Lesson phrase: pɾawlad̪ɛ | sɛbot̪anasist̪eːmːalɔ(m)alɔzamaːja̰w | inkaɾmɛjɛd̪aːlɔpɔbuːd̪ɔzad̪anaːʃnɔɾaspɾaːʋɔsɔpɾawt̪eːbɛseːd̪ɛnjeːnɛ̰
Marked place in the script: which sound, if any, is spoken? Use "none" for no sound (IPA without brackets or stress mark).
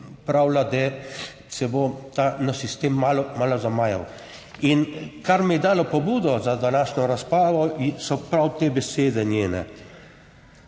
m